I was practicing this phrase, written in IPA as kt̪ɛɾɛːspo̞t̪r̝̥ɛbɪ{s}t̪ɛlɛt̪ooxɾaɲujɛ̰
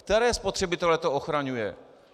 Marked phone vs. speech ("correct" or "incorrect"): incorrect